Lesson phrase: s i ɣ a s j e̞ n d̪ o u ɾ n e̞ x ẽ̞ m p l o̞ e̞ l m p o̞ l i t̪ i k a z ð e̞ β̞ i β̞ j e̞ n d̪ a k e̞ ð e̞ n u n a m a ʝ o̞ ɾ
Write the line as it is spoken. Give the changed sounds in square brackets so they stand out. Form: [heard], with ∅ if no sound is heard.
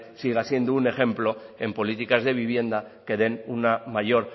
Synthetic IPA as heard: s i ɣ a s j e̞ n d̪ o u [∅] n e̞ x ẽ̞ m p l o̞ e̞ [∅] m p o̞ l i t̪ i k a z ð e̞ β̞ i β̞ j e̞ n d̪ a k e̞ ð e̞ n u n a m a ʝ o̞ ɾ